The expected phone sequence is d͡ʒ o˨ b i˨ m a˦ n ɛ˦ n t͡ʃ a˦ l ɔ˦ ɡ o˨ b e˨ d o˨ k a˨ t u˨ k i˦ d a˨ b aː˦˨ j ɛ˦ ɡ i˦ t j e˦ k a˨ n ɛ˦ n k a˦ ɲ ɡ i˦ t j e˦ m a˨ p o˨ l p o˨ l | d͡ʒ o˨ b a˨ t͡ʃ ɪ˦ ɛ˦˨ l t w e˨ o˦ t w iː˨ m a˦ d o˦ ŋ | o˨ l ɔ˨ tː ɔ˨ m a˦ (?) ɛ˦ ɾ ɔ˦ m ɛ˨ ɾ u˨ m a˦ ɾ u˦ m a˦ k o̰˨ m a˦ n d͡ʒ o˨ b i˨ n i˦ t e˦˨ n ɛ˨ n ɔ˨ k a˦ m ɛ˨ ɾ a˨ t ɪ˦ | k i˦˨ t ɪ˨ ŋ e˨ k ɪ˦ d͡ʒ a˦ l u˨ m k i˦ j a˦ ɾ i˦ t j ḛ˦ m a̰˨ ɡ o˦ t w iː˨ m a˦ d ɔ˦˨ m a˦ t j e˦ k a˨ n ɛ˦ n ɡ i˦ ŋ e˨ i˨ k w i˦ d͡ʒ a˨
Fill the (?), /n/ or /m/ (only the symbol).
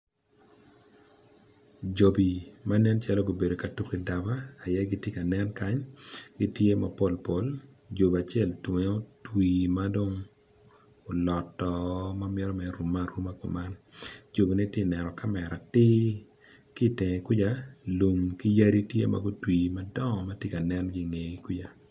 m